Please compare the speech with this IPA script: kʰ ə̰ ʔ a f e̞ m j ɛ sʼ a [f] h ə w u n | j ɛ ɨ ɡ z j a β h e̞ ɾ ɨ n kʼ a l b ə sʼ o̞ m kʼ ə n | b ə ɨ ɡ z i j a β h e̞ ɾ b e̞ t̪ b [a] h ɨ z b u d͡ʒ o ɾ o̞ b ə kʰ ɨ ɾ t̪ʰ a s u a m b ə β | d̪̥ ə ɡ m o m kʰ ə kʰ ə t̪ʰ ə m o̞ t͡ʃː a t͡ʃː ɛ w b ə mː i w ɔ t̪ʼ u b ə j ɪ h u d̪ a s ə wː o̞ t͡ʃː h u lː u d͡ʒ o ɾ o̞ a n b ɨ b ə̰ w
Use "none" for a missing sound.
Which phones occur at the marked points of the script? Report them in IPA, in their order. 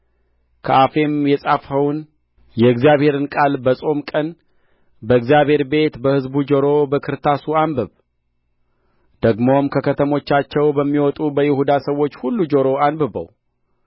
f, ə

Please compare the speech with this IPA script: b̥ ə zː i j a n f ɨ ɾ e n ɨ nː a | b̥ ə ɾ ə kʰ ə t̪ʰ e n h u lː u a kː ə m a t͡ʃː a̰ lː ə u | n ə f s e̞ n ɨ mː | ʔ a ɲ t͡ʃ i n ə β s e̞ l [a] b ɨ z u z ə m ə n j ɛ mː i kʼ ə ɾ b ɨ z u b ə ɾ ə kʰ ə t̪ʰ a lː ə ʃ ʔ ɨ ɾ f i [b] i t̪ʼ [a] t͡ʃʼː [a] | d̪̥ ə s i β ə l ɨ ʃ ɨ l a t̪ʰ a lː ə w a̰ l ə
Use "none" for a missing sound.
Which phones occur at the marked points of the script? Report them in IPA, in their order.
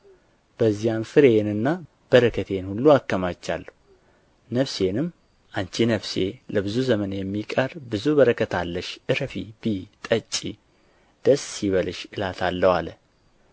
ə, b, ə, i

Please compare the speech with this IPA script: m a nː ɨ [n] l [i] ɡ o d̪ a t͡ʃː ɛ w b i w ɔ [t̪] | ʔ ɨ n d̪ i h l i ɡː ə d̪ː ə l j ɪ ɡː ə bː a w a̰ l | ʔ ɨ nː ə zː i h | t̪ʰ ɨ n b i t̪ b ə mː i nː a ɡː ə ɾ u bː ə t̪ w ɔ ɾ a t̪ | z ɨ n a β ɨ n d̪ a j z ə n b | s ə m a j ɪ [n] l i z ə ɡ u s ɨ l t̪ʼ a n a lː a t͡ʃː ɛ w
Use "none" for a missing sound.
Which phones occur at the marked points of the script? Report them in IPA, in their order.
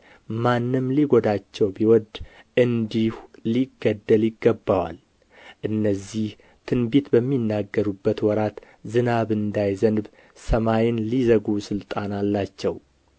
m, i, d̪, n

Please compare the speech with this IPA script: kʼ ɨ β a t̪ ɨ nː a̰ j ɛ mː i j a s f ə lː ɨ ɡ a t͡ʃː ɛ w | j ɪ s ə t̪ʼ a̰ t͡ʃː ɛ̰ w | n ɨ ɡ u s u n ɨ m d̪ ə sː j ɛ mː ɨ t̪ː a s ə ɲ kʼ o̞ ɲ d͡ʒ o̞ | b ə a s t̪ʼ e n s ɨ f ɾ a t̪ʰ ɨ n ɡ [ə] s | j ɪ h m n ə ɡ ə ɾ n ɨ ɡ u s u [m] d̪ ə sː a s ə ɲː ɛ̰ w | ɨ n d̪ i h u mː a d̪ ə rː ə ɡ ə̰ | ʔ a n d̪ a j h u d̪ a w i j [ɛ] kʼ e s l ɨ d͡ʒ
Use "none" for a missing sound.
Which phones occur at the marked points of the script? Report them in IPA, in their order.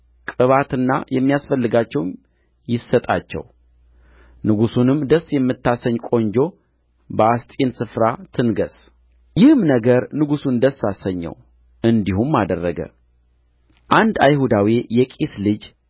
ə, n, ɛ

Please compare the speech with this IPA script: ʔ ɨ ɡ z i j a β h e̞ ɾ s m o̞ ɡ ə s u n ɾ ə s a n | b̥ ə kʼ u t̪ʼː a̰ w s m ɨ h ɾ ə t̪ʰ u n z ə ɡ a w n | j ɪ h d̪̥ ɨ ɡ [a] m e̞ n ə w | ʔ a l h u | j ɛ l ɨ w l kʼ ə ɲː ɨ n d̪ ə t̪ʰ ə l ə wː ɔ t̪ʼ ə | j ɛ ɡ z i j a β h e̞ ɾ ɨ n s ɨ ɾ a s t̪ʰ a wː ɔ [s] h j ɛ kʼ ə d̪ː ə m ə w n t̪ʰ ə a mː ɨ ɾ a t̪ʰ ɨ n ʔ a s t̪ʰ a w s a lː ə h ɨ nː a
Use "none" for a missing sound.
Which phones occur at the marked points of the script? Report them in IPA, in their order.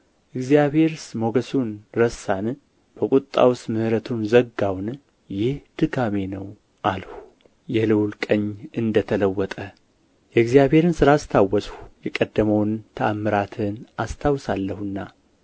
a, s

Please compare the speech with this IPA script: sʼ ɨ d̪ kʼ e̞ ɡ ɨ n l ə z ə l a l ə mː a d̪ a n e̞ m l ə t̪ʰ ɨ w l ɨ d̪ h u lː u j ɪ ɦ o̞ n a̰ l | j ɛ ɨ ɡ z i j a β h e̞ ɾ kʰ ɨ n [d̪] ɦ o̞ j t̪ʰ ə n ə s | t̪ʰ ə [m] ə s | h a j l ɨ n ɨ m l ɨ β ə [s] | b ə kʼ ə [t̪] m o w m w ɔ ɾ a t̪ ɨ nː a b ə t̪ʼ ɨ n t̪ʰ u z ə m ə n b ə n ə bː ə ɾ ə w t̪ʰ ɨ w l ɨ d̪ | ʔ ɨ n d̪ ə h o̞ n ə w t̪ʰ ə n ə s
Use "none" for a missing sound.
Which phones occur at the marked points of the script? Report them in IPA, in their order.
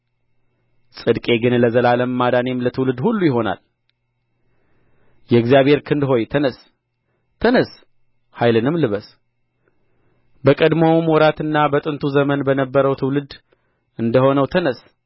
d̪, n, s, d̪

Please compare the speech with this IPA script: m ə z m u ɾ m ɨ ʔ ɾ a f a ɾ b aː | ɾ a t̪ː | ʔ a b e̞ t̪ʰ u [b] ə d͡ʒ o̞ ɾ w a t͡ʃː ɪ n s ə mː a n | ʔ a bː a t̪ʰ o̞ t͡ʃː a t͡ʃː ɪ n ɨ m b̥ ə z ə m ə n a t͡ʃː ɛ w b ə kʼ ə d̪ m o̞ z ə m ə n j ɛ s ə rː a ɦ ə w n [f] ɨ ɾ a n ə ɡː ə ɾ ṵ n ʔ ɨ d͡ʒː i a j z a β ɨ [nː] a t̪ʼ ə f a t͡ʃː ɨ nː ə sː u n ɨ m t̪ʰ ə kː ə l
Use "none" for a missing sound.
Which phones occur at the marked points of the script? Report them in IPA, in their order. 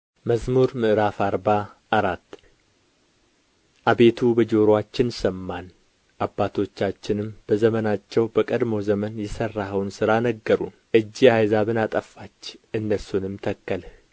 b, s, n

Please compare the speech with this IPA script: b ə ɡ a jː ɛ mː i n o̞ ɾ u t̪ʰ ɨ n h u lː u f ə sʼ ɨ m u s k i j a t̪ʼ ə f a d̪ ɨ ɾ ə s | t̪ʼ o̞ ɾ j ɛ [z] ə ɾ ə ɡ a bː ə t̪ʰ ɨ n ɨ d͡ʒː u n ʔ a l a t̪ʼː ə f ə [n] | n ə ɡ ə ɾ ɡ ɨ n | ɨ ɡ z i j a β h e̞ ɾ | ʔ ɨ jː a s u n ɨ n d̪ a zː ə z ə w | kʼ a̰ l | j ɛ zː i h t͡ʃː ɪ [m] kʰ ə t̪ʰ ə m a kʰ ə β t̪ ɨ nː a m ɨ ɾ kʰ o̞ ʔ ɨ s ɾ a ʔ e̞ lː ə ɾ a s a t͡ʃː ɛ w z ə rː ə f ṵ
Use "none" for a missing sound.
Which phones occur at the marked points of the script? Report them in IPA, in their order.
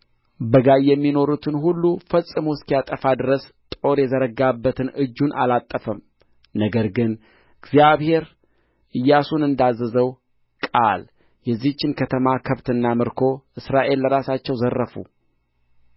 z, m, n

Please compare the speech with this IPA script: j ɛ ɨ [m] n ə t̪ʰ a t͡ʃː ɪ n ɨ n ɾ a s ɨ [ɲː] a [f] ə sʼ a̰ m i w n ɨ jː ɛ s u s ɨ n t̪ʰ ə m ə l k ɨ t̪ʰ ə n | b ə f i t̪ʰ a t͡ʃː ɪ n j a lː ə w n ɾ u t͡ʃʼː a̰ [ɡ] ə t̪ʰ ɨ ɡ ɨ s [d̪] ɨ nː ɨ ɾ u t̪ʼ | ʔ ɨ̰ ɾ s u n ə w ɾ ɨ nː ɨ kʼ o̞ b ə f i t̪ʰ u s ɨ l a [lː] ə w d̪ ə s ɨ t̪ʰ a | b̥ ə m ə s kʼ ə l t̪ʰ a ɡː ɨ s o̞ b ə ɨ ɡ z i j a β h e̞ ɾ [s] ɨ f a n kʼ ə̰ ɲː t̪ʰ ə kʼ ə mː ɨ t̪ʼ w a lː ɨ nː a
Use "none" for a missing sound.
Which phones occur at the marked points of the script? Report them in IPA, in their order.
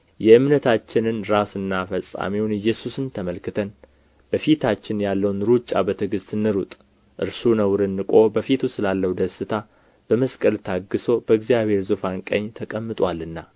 m, nː, f, b, t̪, lː, z

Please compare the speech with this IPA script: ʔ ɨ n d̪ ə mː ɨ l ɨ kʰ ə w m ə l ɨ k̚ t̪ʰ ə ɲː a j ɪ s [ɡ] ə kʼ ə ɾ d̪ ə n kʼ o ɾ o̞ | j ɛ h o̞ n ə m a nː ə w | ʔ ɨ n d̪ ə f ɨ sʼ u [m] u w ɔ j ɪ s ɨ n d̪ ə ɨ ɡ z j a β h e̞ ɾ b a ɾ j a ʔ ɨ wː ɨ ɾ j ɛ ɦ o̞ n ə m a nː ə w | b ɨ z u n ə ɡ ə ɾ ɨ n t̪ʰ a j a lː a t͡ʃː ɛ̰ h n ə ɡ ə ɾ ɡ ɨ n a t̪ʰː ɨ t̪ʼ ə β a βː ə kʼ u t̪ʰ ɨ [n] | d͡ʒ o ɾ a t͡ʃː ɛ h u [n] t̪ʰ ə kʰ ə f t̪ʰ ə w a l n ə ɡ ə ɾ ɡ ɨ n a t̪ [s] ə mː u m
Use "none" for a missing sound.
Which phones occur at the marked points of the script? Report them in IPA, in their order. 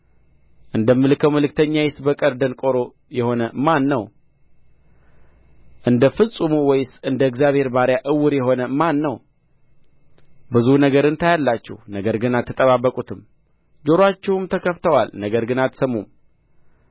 b, m, m, m, s

